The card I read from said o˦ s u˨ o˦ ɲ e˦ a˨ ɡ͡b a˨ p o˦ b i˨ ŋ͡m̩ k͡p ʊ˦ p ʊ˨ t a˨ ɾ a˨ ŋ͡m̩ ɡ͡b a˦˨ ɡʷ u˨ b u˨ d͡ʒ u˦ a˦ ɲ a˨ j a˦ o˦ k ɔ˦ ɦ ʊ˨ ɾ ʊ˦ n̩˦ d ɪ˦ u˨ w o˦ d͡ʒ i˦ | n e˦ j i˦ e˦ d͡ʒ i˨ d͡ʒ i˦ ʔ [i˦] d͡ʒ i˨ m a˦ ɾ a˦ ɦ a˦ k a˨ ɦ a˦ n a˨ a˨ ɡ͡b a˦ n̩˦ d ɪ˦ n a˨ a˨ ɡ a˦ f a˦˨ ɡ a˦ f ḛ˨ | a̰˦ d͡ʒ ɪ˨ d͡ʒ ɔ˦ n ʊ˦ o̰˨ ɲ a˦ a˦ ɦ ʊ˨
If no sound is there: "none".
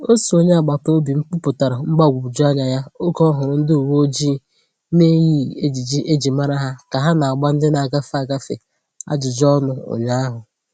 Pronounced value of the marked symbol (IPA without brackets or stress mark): e˦